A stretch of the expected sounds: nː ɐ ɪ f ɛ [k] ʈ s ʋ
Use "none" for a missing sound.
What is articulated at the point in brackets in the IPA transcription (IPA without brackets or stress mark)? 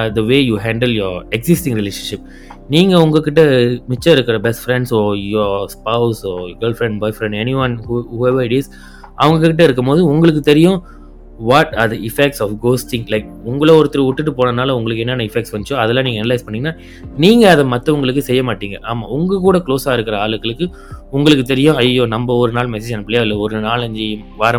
k